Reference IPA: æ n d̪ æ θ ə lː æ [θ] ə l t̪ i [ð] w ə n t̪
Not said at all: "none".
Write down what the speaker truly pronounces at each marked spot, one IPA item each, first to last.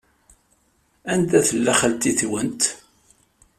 χ, θ

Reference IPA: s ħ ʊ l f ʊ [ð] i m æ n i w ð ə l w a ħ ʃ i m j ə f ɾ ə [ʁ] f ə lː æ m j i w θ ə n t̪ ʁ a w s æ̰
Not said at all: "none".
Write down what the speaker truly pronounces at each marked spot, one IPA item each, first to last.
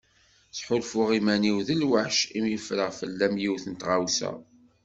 ʁ, ʁ

